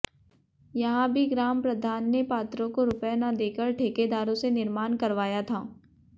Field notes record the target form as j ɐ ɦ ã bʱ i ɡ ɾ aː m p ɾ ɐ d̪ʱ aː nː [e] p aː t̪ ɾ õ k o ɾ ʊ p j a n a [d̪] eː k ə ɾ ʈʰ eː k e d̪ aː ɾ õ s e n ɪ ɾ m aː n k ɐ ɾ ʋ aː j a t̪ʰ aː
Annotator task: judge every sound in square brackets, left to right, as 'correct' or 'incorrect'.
correct, correct

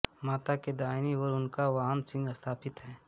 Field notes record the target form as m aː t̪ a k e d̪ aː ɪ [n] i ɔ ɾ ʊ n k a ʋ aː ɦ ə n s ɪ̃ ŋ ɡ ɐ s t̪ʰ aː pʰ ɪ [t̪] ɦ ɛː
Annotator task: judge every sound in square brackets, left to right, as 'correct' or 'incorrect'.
correct, correct

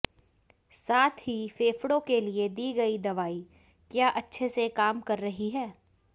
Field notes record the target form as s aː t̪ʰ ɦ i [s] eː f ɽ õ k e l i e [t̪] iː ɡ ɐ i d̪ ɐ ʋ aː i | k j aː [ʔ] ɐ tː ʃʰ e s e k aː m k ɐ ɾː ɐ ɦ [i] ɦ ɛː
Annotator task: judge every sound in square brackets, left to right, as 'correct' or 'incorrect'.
incorrect: f, incorrect: d̪, correct, correct

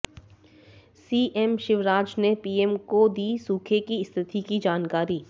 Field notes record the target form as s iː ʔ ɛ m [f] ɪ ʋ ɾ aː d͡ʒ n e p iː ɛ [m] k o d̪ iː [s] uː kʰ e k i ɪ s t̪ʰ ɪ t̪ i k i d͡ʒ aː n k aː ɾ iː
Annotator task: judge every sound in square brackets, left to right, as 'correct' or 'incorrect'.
incorrect: ʃ, correct, correct

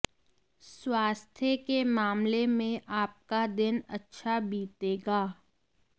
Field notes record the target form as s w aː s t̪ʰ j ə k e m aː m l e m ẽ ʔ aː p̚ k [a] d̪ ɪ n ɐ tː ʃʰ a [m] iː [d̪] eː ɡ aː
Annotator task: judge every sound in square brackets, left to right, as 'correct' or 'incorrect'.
correct, incorrect: b, incorrect: t̪

